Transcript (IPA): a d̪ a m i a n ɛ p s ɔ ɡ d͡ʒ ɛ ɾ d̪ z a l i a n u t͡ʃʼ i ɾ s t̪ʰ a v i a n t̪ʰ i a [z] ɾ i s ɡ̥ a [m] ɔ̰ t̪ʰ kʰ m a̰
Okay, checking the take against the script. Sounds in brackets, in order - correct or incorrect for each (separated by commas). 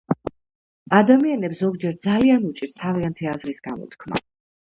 correct, correct